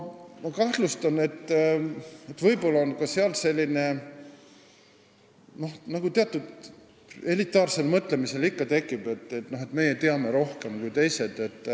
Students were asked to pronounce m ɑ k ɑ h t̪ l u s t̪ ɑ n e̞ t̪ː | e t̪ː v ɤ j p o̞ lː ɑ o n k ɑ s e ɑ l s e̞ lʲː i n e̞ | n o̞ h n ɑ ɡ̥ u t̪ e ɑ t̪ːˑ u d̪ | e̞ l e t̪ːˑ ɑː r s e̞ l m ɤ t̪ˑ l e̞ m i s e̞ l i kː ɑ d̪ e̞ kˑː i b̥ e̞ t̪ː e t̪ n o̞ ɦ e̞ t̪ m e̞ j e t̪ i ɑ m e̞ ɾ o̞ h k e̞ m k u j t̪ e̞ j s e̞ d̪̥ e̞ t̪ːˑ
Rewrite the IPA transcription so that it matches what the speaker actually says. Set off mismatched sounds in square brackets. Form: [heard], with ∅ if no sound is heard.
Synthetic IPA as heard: m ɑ k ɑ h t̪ l u s t̪ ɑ n e̞ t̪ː | e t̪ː v ɤ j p o̞ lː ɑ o n k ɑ s e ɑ l s e̞ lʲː i n e̞ | n o̞ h n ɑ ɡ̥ u t̪ e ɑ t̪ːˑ u d̪ | e̞ l [i] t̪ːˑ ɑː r s e̞ l m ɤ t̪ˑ l e̞ m i s e̞ l i kː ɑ [t̪] e̞ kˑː i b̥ e̞ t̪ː e t̪ n o̞ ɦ e̞ t̪ m e̞ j e t̪ [e] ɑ m e̞ ɾ o̞ h k e̞ m k u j t̪ e̞ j s e̞ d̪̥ e̞ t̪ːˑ